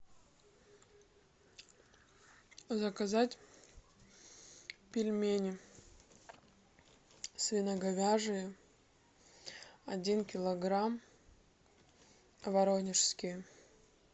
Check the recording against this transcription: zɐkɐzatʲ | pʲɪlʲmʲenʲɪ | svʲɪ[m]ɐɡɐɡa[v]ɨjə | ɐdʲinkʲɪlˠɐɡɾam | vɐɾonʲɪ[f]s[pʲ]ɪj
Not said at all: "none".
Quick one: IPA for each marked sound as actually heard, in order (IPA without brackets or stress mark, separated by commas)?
n, ʐ, ʂ, kʲ